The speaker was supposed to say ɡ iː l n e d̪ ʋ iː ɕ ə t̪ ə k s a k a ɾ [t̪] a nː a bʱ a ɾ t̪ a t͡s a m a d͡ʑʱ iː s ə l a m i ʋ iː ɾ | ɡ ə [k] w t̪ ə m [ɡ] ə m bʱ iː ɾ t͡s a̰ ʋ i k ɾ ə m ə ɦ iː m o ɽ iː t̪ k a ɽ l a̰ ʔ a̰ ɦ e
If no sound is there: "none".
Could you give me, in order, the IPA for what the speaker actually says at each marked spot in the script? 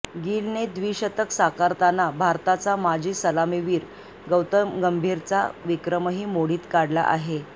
t̪, none, ɡ

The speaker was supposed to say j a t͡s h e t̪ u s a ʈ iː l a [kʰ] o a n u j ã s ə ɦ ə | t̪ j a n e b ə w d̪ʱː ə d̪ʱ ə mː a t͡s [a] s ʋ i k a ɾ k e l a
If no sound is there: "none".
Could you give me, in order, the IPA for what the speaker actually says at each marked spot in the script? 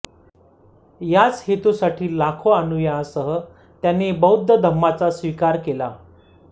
kʰ, a

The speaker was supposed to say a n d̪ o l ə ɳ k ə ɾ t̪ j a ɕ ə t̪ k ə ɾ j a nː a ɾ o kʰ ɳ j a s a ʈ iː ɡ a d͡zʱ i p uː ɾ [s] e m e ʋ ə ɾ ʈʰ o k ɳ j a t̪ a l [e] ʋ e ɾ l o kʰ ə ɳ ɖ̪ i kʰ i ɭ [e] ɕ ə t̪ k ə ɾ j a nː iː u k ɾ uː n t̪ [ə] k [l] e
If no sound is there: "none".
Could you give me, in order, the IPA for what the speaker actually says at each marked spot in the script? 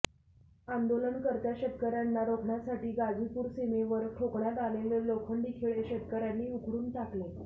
s, e, e, a, l

